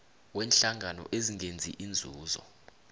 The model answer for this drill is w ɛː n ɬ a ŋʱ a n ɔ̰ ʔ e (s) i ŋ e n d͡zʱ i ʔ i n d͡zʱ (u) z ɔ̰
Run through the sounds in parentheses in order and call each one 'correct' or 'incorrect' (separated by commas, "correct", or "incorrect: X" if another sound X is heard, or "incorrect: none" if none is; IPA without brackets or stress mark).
incorrect: z, incorrect: uː